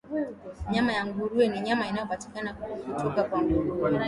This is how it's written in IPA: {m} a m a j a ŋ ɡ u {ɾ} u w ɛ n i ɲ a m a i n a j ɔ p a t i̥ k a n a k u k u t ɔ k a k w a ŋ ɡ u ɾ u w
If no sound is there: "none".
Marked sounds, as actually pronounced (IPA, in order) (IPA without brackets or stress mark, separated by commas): ɲ, ɾ